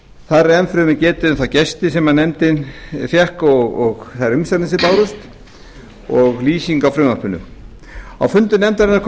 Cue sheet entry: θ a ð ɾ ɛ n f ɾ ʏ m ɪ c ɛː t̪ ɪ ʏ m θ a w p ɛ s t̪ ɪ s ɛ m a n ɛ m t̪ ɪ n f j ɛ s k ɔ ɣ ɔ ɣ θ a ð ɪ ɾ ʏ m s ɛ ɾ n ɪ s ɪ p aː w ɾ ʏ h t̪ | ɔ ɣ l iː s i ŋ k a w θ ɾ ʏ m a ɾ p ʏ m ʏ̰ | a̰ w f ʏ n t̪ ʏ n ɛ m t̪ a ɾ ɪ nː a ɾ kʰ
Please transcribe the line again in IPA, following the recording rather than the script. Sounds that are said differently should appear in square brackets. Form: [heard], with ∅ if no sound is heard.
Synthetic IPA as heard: θ a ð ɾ ɛ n f ɾ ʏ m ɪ c ɛː t̪ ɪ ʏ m θ a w [c] ɛ s t̪ ɪ s ɛ m a n ɛ m t̪ ɪ n f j ɛ [h] k ɔ ɣ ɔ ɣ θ a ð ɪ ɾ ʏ m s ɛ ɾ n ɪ s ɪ p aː w ɾ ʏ [s] t̪ | ɔ ɣ l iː s i ŋ k a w [f] ɾ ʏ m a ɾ p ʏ [n] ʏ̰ | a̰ w f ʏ n t̪ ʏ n ɛ m t̪ a ɾ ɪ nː a ɾ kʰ